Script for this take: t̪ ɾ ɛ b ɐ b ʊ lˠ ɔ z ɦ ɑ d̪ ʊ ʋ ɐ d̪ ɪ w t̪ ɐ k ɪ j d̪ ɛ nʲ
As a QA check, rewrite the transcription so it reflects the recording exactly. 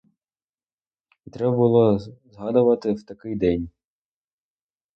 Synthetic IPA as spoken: t̪ ɾ ɛ b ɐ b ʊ lˠ ɔ z ɦ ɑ d̪ ʊ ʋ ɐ t̪ ɪ w t̪ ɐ k ɪ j d̪ ɛ nʲ